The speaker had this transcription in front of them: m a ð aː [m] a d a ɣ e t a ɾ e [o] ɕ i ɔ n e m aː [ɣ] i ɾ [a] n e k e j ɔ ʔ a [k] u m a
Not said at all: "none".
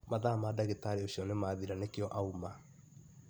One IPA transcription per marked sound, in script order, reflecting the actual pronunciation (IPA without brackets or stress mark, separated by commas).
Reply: m, o, ð, a, none